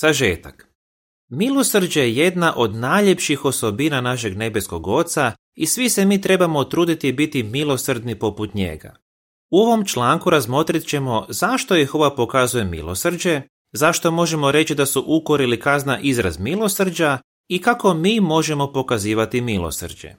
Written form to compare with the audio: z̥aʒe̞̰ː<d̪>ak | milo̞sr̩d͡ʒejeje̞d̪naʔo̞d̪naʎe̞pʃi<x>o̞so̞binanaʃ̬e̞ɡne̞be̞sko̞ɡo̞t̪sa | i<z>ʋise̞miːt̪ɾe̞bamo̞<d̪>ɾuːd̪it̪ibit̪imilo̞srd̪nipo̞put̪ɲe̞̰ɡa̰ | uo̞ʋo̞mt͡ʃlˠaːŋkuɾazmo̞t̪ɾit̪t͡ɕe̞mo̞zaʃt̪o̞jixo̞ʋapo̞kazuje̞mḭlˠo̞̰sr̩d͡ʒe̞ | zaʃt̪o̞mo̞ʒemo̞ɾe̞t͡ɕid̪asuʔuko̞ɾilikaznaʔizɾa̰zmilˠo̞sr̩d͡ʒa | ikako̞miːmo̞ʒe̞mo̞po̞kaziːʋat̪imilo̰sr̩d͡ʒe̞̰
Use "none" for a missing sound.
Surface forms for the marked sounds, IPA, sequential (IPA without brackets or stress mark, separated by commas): t̪, x, s, t̪